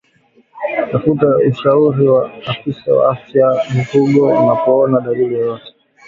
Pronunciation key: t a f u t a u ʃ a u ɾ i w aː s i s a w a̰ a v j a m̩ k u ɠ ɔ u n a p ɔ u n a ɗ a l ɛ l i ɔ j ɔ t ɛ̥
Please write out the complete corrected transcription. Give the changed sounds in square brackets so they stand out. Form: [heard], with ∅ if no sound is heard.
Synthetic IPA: t a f u t a u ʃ a u ɾ i w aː [f] i s a w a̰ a [f] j a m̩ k u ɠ ɔ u n a p ɔ [ɔ] n a ɗ a l [i] l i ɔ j ɔ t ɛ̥

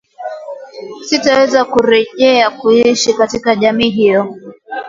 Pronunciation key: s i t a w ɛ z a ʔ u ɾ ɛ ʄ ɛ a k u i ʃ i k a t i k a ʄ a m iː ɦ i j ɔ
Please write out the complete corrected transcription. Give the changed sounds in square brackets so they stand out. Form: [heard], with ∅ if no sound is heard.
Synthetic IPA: s i t a w ɛ z a [k] u ɾ ɛ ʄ ɛ a k u i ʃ i k a t i k a ʄ a m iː ɦ i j ɔ

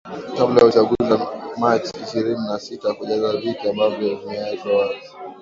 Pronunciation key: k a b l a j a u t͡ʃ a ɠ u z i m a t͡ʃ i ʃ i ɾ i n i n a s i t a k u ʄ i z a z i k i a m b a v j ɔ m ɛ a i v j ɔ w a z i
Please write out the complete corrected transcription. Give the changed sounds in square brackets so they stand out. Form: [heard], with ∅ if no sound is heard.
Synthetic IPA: k a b l a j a u t͡ʃ a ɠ u z [a] m a t͡ʃ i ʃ i ɾ i n i n a s i t a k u ʄ [a] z a [v] i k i a m b a v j ɔ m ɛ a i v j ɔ w a z i

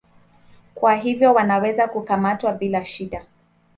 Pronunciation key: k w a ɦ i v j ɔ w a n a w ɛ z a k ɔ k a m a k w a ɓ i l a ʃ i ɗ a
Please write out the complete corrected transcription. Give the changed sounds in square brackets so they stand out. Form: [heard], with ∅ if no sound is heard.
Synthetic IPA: k w a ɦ i v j ɔ w a n a w ɛ z a k [u] k a m a [t] w a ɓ i l a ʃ i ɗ a

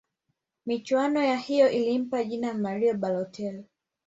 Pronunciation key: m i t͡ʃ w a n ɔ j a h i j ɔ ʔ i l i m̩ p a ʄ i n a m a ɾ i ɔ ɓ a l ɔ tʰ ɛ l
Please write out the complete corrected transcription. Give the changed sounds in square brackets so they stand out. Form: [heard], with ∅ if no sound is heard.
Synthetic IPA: m i t͡ʃ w a n ɔ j a h i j ɔ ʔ i l i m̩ p a ʄ i n a m a ɾ i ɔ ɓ a l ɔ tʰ ɛ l

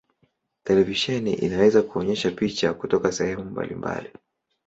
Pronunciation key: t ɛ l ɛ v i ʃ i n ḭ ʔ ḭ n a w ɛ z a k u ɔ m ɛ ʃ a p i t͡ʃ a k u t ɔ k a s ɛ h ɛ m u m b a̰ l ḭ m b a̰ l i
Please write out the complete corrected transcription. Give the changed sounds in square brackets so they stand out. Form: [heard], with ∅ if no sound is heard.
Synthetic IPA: t ɛ l ɛ v i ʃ [ɛ] n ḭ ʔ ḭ n a w ɛ z a k u ɔ [ɲ] ɛ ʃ a p i t͡ʃ a k u t ɔ k a s ɛ h ɛ m u m b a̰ l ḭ m b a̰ l i

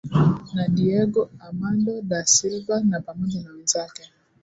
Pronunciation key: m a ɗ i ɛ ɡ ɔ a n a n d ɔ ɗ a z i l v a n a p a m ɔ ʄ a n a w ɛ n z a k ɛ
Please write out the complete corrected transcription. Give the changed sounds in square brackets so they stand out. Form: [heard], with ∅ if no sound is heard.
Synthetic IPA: [n] a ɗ i ɛ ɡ ɔ a [m] a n d ɔ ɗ a [s] i l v a n a p a m ɔ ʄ a n a w ɛ n z a k ɛ

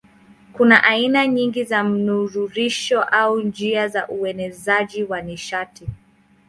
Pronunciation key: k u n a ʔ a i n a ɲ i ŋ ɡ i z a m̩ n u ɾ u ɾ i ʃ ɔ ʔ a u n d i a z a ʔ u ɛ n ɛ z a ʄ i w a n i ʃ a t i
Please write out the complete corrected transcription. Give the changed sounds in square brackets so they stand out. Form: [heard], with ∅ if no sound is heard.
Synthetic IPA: k u n a ʔ a i n a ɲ i ŋ ɡ i z a m̩ n u ɾ u ɾ i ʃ ɔ ʔ a u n [d͡ʒ] i a z a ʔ u ɛ n ɛ z a ʄ i w a n i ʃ a t i

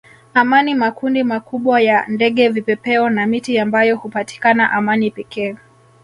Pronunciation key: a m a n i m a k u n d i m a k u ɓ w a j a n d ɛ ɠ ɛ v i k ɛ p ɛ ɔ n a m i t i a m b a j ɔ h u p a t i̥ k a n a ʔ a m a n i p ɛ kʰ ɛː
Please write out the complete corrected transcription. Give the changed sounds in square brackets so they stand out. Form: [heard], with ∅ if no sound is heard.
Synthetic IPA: a m a n i m a k u n d i m a k u ɓ w a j a n d ɛ ɠ ɛ v i [p] ɛ p ɛ ɔ n a m i t i a m b a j ɔ h u p a t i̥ k a n a ʔ a m a n i p ɛ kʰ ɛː

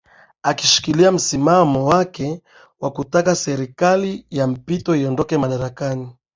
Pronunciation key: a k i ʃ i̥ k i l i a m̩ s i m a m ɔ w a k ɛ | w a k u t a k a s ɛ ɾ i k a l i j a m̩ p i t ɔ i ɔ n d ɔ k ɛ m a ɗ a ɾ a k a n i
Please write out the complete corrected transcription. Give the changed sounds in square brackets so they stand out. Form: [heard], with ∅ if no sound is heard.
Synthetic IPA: a k i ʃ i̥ k i l i a m̩ s i m a m ɔ w a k ɛ | w a k u t a k a s ɛ ɾ i k a l i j a m̩ p i t ɔ i ɔ n d ɔ k ɛ m a ɗ a ɾ a k a n i

